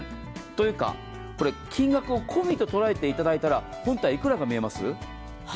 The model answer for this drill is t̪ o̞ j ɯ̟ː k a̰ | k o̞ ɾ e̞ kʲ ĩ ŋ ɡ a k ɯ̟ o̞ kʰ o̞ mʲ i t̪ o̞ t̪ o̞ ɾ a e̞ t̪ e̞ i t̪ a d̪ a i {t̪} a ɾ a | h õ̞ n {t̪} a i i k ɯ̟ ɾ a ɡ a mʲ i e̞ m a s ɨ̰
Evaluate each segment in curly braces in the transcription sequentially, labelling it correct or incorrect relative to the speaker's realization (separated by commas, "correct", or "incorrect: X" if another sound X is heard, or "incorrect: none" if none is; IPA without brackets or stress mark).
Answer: correct, correct